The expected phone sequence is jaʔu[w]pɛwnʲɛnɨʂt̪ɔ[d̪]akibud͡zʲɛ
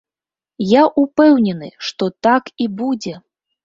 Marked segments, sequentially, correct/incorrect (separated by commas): incorrect, incorrect